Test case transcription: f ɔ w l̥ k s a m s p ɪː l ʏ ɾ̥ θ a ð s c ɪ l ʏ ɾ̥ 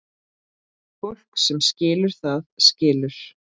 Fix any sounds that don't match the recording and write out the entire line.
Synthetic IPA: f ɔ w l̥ k s ɛ m s c ɪː l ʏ ɾ̥ θ a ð s c ɪː l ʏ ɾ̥